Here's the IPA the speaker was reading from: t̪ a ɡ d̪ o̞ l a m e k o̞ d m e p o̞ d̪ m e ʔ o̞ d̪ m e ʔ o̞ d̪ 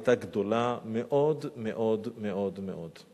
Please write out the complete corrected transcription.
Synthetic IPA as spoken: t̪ a ɡ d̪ o̞ l a m e ʔ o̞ d m e ʔ o̞ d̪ m e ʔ o̞ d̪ m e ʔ o̞ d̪

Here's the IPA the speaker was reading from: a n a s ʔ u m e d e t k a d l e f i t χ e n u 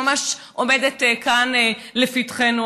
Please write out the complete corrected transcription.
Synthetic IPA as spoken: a m a ʃ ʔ o m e d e t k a n l e f i t χ e n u

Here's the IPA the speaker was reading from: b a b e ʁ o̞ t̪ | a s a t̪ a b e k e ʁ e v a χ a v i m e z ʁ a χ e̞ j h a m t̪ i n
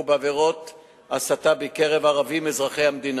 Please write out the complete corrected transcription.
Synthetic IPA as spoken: b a v e ʁ o̞ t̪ | a s a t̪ a b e k e ʁ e v a ʁ a v i m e z ʁ a χ e̞ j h a m d̪ i n

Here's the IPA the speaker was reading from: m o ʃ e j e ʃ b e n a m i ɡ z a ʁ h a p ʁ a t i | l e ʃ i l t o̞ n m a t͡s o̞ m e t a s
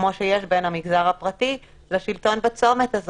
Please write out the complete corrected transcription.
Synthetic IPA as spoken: m o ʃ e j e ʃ b e n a m i ɡ z a ʁ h a p ʁ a t i | l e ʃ i l t o̞ n b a t͡s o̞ m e t a z

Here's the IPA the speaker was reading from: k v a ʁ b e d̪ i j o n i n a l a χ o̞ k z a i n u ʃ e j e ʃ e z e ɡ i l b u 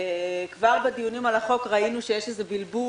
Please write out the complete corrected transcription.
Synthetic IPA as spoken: k v a ʁ b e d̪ i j u n i m a l a χ o̞ k ʁ a i n u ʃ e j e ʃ e z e b i l b u

